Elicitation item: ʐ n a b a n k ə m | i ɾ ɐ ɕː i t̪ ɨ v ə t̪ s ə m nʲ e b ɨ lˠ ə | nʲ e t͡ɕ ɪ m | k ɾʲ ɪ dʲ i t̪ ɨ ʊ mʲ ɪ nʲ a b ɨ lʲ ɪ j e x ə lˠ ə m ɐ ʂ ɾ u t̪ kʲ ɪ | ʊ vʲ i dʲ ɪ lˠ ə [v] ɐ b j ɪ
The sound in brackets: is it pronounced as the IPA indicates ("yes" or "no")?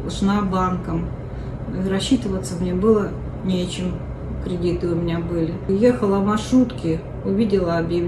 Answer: no